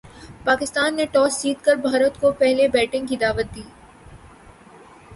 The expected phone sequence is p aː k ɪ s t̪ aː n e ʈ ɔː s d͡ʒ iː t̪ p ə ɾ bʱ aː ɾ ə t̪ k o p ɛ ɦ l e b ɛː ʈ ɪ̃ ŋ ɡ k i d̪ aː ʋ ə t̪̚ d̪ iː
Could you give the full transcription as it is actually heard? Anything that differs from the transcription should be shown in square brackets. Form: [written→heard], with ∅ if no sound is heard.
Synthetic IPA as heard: p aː k ɪ s t̪ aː [n→nː] e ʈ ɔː s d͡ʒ iː t̪ [p→k] ə ɾ bʱ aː ɾ ə t̪ k o p ɛ ɦ l e b ɛː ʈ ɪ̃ ŋ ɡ k i d̪ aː ʋ ə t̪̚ d̪ iː